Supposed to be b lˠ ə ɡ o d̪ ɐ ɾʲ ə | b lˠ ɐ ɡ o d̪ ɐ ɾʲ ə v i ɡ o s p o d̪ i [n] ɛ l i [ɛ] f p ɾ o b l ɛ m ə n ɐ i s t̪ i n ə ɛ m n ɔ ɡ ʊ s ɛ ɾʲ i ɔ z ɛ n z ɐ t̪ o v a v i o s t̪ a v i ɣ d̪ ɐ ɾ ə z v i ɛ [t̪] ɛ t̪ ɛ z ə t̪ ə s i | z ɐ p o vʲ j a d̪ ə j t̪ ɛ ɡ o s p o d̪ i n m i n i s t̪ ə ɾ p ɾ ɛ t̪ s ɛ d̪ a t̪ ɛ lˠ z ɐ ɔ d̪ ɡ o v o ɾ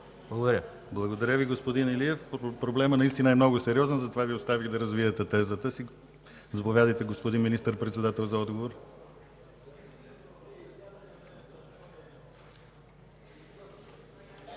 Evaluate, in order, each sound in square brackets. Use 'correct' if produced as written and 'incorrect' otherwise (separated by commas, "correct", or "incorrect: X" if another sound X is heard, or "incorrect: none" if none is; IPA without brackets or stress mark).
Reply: correct, correct, correct